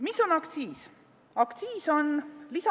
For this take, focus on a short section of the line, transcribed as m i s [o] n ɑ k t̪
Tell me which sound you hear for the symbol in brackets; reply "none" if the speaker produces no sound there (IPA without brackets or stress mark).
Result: o